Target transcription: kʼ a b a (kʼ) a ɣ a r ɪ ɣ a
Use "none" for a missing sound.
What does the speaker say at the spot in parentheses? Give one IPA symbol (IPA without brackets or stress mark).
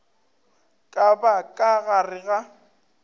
kʼ